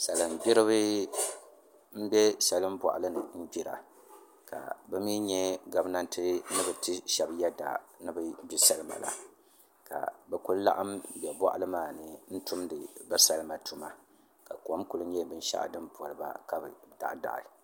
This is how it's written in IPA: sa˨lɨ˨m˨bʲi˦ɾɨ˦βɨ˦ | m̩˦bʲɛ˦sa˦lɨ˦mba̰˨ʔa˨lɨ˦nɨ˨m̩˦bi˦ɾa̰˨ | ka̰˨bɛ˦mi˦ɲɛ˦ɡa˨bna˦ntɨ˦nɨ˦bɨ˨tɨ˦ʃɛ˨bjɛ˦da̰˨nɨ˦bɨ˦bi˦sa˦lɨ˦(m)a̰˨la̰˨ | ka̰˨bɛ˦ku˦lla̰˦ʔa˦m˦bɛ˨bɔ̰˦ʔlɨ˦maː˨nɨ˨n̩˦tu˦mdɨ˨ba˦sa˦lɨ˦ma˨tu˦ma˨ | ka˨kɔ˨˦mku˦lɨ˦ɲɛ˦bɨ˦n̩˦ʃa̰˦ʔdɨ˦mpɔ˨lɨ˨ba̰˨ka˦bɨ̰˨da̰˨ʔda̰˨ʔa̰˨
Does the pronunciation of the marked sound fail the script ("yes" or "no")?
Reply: no